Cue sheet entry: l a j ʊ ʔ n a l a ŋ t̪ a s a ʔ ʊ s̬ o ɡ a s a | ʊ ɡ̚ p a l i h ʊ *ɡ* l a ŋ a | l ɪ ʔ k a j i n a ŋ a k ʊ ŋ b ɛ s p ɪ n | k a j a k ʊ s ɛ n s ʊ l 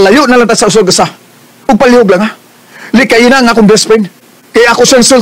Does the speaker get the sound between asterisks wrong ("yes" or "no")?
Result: no